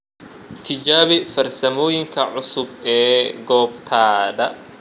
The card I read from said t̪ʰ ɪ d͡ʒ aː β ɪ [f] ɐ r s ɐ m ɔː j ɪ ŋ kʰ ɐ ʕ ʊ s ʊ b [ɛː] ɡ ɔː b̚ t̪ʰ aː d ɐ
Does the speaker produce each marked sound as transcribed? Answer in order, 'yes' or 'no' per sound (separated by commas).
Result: yes, yes